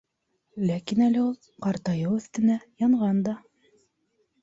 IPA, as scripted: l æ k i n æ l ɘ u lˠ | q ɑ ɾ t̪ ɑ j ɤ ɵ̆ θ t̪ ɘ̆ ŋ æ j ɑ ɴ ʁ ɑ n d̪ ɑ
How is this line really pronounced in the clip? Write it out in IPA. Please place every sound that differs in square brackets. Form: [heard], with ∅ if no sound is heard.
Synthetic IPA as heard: l æ k i n æ l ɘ u lˠ | q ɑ ɾ t̪ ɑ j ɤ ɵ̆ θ t̪ ɘ̆ [n] æ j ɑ ɴ ʁ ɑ n d̪ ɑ